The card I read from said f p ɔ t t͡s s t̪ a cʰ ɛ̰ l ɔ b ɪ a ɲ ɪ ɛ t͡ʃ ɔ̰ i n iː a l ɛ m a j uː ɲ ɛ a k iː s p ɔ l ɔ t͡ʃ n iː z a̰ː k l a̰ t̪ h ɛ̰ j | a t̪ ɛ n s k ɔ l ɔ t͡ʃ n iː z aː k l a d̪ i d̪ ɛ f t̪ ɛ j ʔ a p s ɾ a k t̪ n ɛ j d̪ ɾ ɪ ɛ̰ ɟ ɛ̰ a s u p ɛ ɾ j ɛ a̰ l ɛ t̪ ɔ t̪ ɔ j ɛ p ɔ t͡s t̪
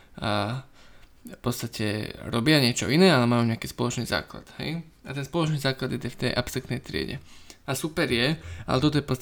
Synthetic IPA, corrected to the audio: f p ɔ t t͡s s t̪ a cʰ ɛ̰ ɾ ɔ b ɪ a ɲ ɪ ɛ t͡ʃ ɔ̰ i n ɛː a l ɛ m a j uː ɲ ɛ a k iː s p ɔ l ɔ t͡ʃ n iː z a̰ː k l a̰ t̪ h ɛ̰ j | a t̪ ɛ n s p ɔ l ɔ t͡ʃ n iː z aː k l a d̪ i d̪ ɛ f t̪ ɛ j ʔ a p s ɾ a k t̪ n ɛ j t̪ ɾ ɪ ɛ̰ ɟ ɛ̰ a s u p ɛ ɾ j ɛ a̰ l ɛ t̪ ɔ t̪ ɔ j ɛ p ɔ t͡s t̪